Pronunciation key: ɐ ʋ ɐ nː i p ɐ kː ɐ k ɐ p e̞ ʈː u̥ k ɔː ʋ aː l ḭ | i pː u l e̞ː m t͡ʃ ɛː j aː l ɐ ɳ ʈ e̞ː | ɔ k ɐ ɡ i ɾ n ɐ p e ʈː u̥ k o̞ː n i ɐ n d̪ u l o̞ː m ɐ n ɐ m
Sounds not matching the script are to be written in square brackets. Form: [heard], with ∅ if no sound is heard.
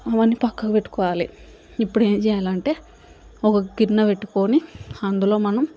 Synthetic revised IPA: ɐ ʋ ɐ nː i p ɐ kː ɐ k ɐ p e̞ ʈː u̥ k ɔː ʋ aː l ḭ | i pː u [ɽ] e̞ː m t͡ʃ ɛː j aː l ɐ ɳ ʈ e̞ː | ɔ k ɐ ɡ i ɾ n ɐ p e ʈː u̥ k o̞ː n i ɐ n d̪ u l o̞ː m ɐ n ɐ m